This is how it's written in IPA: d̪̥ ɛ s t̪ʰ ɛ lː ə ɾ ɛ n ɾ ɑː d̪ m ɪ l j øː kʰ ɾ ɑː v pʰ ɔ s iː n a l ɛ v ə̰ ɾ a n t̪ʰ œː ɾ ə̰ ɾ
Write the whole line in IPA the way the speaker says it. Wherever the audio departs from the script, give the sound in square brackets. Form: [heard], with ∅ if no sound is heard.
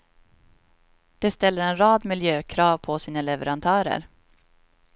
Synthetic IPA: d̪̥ ɛ s [t̪] ɛ lː ə ɾ ɛ n ɾ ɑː d̪ m ɪ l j øː kʰ ɾ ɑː v pʰ ɔ s iː n a l ɛ v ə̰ ɾ a n t̪ʰ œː ɾ ə̰ ɾ